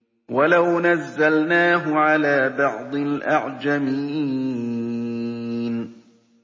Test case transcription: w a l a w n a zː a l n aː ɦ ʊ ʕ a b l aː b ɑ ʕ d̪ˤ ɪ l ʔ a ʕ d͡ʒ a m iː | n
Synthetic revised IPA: w a l a w n a zː a l n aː ɦ ʊ ʕ a l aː b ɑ ʕ d̪ˤ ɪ l ʔ a ʕ d͡ʒ a m iː | n